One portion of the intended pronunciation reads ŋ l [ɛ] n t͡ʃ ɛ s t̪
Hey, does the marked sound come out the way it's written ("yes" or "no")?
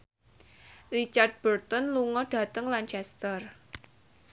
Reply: no